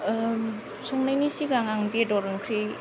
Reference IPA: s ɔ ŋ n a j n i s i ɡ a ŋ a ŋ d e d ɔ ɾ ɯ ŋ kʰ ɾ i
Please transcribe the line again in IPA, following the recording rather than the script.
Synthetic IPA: s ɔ ŋ n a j n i s i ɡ a ŋ a ŋ b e d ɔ ɾ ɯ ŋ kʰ ɾ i

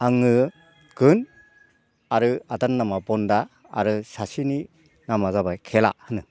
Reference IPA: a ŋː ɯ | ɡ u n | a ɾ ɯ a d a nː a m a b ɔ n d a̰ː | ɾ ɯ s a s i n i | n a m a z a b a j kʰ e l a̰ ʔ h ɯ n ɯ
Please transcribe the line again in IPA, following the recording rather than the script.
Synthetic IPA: a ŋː ɯ | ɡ ɯ n | a ɾ ɯ a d a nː a m a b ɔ n d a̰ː | ɾ ɯ s a s i n i | n a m a z a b a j kʰ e l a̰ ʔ h ɯ n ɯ

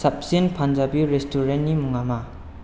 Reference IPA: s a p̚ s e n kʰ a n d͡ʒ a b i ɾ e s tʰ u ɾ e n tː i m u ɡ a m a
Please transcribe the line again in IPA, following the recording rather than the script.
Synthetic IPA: s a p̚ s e n pʰ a n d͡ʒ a b i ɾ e s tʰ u ɾ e n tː i m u ŋ a m a

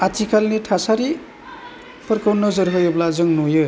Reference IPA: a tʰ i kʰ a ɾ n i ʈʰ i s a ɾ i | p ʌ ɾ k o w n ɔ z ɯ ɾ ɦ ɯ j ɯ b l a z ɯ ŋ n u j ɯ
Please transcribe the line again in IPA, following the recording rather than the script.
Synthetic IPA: a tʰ i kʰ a l n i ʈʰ a s a ɾ i | p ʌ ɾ k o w n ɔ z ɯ ɾ ɦ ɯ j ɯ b l a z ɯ ŋ n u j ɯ

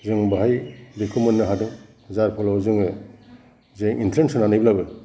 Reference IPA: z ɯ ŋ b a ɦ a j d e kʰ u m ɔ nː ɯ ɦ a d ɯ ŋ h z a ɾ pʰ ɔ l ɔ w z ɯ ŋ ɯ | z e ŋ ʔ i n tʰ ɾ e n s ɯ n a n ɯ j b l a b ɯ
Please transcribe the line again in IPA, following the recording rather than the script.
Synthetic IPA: z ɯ ŋ b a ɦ a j d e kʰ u m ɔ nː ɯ ɦ a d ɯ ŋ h z a ɾ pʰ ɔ l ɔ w z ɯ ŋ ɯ | z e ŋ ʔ i n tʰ ɾ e n s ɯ n a n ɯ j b l a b ɯ

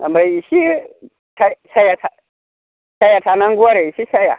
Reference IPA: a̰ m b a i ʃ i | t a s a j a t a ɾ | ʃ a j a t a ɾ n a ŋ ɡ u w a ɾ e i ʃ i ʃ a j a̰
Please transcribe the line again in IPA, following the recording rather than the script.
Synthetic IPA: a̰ m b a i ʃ i | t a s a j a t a | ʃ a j a t a n a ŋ ɡ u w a ɾ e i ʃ i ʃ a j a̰

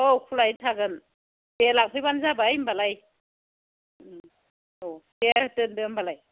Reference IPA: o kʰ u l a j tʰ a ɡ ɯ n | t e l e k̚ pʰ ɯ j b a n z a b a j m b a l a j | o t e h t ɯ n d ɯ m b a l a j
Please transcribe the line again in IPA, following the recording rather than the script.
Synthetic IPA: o kʰ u l a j tʰ a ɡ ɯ n | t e l a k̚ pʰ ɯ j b a n z a b a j m b a l a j | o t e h t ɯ n d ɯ m b a l a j

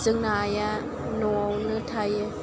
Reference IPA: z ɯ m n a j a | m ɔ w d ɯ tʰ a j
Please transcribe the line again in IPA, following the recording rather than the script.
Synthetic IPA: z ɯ ŋ n a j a | n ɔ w n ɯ tʰ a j

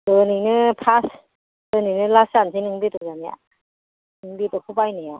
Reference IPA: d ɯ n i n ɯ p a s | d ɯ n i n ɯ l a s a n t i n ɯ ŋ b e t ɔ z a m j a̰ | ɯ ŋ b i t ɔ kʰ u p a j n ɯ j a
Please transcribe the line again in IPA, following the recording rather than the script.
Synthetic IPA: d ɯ n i n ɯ pʰ a s | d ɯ n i n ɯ l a s a n s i n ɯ ŋ b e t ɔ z a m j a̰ | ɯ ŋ b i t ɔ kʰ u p a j n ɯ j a

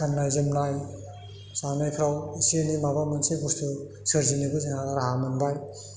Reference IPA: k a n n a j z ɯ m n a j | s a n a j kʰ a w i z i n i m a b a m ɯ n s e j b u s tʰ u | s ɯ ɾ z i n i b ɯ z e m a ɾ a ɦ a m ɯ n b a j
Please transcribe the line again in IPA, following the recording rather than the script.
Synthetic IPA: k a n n a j z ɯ m n a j | s a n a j kʰ a w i s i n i m a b a m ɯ n s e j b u s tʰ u | s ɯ ɾ z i n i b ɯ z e ŋ a ɾ a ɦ a m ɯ n b a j

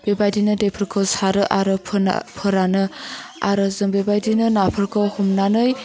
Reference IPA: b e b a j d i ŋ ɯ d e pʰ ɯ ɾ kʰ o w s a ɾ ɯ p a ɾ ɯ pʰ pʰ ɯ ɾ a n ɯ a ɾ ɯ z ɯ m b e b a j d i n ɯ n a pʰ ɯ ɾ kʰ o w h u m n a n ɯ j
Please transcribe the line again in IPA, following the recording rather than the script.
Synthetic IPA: b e b a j d i n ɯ d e pʰ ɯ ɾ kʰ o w s a ɾ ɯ ʔ a ɾ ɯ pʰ pʰ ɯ ɾ a n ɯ a ɾ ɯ z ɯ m b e b a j d i n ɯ n a pʰ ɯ ɾ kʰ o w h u m n a n ɯ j

